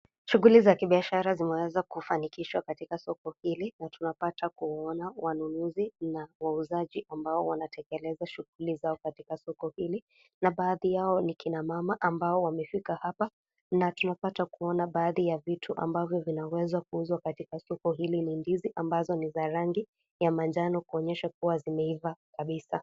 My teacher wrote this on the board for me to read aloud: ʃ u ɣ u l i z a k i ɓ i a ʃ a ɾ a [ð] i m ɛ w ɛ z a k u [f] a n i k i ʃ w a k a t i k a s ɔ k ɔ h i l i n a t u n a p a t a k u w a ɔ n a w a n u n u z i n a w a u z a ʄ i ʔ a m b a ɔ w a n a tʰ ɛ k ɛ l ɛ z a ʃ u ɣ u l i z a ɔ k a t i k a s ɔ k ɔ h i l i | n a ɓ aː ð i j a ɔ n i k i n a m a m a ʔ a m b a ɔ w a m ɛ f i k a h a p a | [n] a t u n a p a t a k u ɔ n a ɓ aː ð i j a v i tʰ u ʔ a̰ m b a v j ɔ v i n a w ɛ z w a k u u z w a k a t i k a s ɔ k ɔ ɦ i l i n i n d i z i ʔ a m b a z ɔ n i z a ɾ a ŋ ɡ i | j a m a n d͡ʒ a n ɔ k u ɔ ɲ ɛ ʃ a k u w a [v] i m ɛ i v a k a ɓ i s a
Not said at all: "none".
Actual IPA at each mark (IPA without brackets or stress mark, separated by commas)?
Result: z, f, n, z